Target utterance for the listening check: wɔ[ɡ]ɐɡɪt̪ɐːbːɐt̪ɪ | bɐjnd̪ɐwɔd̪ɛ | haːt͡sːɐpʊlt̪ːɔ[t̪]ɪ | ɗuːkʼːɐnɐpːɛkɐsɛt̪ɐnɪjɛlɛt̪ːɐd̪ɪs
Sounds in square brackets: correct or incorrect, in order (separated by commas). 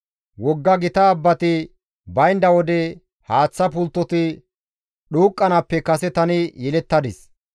incorrect, correct